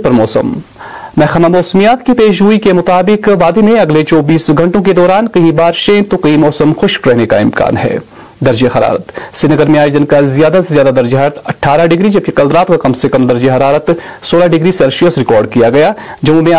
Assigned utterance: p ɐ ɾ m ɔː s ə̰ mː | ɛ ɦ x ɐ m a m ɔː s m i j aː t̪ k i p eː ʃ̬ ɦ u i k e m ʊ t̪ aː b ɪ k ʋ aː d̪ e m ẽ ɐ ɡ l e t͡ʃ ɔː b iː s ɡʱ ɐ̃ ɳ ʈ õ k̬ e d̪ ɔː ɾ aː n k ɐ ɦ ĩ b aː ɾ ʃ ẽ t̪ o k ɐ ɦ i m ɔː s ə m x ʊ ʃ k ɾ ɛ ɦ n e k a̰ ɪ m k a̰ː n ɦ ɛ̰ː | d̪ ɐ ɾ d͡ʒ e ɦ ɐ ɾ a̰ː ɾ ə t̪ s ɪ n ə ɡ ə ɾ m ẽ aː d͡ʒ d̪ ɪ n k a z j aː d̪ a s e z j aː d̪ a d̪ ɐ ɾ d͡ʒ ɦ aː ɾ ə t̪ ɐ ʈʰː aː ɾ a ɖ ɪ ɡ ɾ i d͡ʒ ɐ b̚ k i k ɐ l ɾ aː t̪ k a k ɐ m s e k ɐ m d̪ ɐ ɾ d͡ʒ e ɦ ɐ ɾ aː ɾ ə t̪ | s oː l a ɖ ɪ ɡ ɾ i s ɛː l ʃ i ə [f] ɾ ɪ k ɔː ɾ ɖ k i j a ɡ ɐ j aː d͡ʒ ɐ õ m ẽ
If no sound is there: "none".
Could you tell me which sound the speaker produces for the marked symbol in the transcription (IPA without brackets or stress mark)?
s